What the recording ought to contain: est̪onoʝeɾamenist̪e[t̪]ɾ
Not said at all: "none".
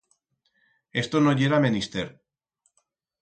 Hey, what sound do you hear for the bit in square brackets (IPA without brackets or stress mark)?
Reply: none